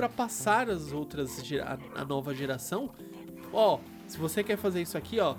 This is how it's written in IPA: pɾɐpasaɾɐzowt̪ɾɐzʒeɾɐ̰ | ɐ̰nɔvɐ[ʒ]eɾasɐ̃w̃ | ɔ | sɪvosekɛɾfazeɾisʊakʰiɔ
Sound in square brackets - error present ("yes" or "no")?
no